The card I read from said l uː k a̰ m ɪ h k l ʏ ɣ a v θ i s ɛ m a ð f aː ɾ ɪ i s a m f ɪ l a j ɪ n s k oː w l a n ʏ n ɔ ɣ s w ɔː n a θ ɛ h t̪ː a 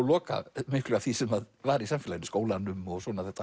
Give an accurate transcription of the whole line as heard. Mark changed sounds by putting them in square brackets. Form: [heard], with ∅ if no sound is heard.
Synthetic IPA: l [ɔː] k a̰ m ɪ h k l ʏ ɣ a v θ i s ɛ m a ð [v] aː ɾ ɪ i s a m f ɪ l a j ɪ n s k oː w l a n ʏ [m] ɔ ɣ s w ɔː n a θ ɛ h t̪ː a